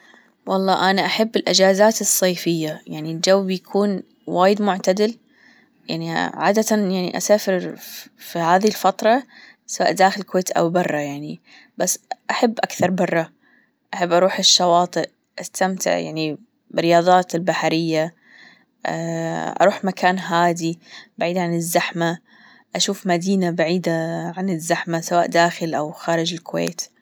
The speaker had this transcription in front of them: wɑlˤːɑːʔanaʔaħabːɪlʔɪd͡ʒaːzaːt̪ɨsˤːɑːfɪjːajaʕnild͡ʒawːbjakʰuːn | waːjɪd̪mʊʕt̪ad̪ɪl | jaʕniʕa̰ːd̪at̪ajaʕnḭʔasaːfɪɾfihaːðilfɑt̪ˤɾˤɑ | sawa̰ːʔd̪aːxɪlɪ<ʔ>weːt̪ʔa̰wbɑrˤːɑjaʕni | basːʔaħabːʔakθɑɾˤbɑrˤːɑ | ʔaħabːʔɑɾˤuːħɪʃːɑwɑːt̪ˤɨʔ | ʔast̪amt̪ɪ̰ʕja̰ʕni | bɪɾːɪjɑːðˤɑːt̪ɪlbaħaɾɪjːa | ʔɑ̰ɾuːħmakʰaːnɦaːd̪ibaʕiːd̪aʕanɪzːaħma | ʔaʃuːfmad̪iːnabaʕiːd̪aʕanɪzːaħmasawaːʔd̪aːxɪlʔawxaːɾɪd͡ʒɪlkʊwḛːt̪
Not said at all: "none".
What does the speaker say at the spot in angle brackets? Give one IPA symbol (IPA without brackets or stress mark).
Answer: k